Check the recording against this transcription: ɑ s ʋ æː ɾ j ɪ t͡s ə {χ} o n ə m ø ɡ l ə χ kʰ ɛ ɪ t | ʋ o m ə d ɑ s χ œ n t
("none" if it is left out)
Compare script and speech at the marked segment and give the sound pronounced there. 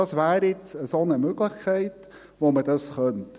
s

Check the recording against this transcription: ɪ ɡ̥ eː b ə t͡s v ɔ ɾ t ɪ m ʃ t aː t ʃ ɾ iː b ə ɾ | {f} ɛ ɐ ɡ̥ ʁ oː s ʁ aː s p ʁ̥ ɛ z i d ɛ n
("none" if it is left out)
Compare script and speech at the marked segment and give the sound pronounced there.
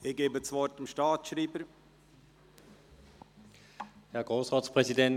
h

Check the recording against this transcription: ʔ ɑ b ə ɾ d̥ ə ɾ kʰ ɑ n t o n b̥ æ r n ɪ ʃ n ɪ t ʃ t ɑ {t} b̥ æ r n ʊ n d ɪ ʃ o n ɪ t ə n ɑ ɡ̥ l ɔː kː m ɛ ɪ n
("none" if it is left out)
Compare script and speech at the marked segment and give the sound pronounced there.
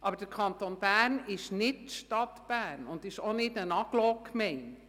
t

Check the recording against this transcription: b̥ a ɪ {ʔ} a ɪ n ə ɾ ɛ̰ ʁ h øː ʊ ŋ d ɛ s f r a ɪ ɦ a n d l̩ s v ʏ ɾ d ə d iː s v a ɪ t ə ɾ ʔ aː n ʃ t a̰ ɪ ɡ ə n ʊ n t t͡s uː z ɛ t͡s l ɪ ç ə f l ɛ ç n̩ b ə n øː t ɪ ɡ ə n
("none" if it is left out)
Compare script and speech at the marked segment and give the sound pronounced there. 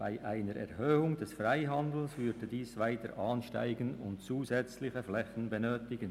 ʔ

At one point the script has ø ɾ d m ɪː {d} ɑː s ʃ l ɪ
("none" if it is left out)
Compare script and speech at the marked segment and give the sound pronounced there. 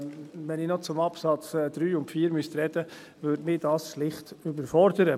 d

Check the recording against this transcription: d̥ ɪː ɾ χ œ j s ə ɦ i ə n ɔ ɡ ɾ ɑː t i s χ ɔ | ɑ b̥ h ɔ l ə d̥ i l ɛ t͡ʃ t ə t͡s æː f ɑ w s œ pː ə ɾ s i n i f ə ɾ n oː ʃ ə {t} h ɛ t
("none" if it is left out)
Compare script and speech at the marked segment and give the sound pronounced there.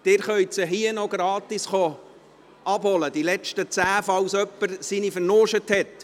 t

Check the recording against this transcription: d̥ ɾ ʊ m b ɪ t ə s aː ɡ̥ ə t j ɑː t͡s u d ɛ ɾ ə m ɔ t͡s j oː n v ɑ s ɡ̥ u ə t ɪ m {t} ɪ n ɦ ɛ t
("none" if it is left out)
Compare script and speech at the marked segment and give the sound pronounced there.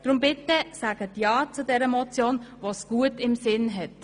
s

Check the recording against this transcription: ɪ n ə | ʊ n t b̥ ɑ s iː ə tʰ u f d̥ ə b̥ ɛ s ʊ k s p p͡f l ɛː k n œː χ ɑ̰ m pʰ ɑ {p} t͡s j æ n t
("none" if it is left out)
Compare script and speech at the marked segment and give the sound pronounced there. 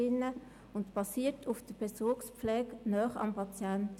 none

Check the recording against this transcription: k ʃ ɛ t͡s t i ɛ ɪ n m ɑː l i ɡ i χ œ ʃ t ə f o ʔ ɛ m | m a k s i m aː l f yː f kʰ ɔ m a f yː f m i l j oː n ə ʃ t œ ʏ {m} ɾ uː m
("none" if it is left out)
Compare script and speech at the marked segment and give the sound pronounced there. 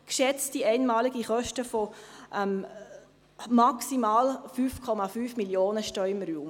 m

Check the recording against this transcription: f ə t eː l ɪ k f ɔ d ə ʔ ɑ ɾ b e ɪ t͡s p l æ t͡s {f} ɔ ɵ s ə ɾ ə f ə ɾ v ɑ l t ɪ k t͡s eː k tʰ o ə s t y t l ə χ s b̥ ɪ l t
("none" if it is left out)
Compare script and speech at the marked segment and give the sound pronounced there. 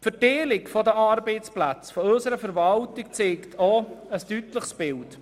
f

